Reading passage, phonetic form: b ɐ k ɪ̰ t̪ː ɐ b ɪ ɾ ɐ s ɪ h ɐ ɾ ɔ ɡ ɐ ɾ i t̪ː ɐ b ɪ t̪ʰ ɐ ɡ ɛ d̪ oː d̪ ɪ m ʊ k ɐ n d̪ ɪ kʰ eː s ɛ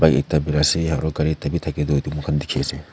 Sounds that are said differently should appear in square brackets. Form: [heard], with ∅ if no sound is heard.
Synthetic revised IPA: b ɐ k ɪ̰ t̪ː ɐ b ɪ ɾ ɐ s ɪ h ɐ ɾ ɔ ɡ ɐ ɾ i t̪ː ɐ b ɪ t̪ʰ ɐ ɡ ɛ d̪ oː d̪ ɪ m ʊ k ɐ n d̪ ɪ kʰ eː s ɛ